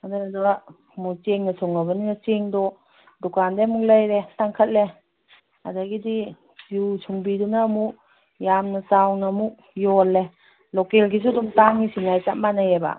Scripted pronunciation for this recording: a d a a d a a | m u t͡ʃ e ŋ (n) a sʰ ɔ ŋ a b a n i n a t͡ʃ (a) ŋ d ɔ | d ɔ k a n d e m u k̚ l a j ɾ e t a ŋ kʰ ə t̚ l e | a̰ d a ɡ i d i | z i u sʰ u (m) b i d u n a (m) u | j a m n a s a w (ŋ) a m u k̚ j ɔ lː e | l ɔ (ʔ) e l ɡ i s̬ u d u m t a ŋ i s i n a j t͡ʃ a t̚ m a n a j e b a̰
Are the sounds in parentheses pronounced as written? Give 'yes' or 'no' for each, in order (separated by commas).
yes, no, no, yes, no, no